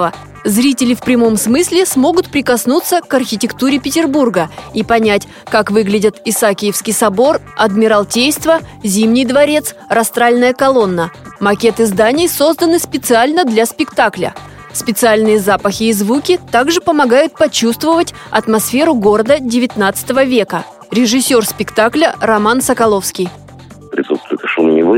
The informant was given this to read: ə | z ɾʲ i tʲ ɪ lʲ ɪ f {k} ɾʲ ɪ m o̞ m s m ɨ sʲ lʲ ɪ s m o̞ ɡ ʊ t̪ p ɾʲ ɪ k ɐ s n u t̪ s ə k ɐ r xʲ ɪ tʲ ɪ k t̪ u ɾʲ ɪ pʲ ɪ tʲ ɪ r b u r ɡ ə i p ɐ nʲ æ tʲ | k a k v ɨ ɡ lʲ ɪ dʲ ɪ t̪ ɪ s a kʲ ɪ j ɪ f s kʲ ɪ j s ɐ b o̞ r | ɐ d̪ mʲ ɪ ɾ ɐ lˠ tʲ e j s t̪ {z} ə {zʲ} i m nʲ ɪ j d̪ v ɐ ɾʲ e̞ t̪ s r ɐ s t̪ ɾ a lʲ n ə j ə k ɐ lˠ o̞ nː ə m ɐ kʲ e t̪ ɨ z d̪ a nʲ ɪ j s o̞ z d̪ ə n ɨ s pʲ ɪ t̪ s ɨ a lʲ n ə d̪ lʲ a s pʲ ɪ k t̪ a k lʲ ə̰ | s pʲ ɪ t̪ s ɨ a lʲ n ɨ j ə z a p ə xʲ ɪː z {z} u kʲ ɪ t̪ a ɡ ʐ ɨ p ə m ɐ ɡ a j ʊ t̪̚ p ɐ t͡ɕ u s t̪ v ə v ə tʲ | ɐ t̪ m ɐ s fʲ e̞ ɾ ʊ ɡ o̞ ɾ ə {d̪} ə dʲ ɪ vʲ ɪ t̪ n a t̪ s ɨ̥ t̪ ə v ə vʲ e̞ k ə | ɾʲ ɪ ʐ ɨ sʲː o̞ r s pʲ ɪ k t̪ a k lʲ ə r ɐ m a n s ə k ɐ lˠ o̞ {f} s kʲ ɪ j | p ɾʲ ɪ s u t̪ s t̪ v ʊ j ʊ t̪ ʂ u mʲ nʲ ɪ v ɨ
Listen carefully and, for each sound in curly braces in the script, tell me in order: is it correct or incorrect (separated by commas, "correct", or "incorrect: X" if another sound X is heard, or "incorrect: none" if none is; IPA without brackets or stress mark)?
incorrect: p, incorrect: v, correct, incorrect: v, correct, correct